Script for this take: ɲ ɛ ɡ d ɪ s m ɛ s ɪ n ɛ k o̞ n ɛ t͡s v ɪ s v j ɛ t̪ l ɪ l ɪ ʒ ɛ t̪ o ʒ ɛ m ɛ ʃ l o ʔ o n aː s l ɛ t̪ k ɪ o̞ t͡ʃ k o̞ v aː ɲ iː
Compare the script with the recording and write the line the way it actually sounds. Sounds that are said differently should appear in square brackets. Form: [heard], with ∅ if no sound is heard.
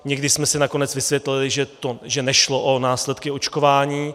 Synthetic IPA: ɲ ɛ ɡ d ɪ s m ɛ s ɪ n [a] k o̞ n ɛ t͡s v ɪ s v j ɛ t̪ l ɪ l ɪ ʒ ɛ t̪ o ʒ ɛ [n] ɛ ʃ l o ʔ o n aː s l ɛ t̪ k ɪ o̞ t͡ʃ k o̞ v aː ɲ iː